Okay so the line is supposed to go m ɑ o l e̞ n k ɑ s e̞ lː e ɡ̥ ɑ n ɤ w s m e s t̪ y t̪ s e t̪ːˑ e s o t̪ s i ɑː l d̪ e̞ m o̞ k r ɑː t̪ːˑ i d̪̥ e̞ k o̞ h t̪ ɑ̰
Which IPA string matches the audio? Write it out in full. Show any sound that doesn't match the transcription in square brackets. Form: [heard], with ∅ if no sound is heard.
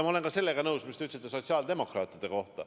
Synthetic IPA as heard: m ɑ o l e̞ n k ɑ s e̞ lː e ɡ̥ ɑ n ɤ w s m [i] s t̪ y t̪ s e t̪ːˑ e s o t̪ s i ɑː l d̪ e̞ m o̞ k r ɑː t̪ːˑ i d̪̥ e̞ k o̞ h t̪ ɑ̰